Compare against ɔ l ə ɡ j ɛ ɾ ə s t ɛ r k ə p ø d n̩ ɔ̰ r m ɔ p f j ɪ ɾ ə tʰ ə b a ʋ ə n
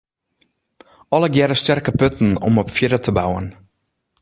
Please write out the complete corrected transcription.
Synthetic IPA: ɔ l ə ɡ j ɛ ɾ ə s t ɛ r k ə p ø t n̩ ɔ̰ m ɔ p f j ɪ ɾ ə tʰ ə b a w ə n